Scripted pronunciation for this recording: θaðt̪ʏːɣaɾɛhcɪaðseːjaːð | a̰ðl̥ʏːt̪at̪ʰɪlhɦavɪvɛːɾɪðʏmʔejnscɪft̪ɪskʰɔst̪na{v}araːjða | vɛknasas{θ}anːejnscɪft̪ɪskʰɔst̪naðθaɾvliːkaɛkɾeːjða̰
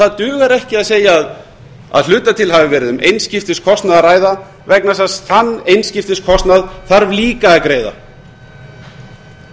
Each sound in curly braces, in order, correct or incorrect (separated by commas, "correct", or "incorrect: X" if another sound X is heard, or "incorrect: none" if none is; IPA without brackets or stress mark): incorrect: ð, correct